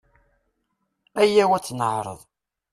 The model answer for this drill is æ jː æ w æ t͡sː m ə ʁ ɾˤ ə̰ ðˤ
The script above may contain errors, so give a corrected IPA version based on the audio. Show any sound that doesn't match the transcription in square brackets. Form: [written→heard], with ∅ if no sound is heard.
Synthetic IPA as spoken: æ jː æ w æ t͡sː [m→n] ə [ʁ→ʕ] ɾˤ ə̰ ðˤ